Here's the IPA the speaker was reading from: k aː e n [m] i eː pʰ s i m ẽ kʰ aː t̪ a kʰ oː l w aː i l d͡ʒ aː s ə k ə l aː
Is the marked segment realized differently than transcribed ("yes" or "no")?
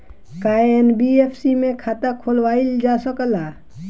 yes